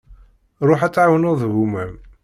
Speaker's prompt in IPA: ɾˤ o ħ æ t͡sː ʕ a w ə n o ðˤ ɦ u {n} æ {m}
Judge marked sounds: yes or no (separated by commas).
no, yes